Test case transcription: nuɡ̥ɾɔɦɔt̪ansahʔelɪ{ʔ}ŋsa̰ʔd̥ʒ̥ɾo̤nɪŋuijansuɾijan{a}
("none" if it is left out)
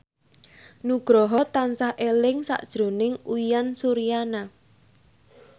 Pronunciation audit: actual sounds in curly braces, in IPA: none, a

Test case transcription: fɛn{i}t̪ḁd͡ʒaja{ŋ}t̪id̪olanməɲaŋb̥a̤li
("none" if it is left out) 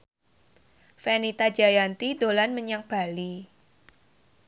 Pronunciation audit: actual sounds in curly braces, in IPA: i, n

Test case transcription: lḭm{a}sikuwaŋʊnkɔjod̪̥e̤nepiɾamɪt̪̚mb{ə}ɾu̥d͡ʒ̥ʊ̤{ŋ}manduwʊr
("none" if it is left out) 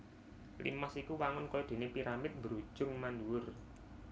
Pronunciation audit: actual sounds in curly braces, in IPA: a, ə, ŋ

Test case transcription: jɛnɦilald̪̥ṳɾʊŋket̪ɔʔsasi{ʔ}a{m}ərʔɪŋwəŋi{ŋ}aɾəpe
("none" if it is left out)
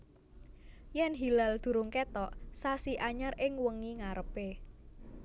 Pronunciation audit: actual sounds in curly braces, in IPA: ʔ, ɲ, ŋ

